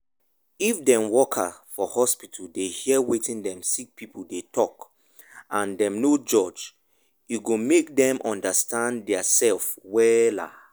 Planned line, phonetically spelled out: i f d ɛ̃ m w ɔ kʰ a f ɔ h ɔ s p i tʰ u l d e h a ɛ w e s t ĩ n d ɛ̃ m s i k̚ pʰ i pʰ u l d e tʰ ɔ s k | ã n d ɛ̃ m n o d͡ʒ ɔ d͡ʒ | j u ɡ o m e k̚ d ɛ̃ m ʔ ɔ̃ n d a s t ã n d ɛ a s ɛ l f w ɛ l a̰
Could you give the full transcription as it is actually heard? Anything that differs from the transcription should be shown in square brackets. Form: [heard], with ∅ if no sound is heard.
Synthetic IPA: i f d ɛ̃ m w ɔ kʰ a f ɔ h ɔ s p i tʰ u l d e h [i] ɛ w e [∅] t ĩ n d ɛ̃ m s i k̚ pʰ i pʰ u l d e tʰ ɔ [∅] k | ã n d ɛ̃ m n o d͡ʒ ɔ d͡ʒ | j u ɡ o m e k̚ d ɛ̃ m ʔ ɔ̃ n d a s t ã n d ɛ a s ɛ l f w ɛ l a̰